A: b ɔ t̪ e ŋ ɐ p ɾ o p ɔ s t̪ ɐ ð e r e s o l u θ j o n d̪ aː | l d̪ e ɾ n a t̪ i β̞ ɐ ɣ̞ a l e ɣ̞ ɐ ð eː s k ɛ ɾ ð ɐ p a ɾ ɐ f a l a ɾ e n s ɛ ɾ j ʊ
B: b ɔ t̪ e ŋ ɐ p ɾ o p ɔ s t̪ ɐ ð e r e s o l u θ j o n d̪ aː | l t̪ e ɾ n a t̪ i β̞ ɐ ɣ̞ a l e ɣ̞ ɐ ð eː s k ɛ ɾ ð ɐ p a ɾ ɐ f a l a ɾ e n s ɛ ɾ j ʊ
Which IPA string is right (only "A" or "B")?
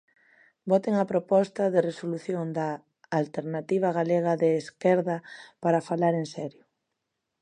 B